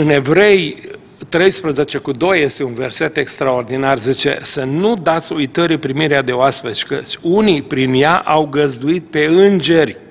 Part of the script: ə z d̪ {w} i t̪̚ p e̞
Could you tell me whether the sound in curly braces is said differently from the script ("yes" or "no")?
yes